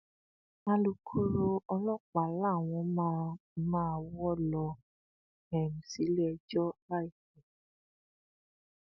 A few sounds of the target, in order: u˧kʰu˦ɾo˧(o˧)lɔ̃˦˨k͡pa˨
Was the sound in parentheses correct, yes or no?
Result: no